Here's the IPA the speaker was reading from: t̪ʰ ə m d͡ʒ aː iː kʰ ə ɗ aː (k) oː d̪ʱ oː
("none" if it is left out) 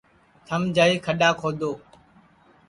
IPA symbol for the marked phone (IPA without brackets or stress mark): kʰ